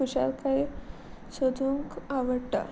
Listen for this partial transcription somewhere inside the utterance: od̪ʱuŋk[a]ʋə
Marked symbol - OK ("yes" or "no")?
yes